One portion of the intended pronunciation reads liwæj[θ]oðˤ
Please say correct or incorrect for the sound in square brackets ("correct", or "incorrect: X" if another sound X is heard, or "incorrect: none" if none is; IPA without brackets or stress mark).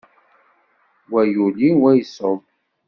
incorrect: s